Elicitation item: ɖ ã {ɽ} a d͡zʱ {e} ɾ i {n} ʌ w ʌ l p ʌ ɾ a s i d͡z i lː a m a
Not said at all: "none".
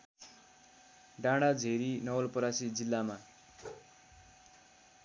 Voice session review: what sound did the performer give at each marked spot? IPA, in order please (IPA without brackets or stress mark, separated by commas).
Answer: ɽ, e, n